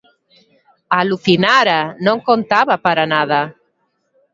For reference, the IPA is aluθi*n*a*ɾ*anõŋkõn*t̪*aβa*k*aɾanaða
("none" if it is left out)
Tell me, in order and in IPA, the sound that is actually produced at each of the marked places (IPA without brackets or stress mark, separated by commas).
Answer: n, ɾ, t̪, p